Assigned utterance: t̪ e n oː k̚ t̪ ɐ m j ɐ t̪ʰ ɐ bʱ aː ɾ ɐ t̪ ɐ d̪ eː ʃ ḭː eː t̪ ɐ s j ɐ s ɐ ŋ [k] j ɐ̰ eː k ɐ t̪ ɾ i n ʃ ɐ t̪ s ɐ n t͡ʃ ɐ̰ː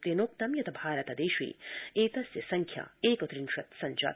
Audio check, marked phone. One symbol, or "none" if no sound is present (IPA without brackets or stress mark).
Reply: kʰ